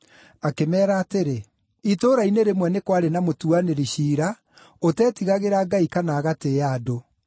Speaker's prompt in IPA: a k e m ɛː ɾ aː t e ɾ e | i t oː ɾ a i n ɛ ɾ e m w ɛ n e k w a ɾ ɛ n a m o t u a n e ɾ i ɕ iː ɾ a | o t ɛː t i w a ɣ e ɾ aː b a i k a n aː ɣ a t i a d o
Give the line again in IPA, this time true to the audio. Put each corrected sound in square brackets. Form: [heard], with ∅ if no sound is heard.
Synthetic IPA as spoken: a k e m ɛː ɾ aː t e ɾ e | i t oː ɾ a i n [e] ɾ e m w ɛ n e k w a ɾ [e] n a m o t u a n e ɾ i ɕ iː ɾ a | o t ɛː t i [ɣ] a ɣ e ɾ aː [ɡ] a i k a n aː ɣ a t [e] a d o